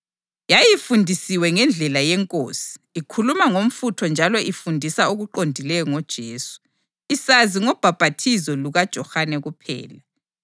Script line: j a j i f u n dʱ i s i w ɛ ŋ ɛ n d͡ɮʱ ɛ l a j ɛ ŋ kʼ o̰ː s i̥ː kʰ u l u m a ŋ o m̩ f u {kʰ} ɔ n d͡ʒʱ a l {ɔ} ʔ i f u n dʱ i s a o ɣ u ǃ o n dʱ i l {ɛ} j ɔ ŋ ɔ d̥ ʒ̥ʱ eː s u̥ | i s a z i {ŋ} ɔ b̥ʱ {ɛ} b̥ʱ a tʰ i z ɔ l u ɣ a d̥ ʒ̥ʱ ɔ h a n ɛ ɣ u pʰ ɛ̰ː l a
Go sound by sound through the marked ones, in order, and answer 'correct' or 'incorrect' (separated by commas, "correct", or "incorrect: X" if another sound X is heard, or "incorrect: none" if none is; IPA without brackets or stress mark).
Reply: incorrect: tʰ, correct, correct, correct, incorrect: a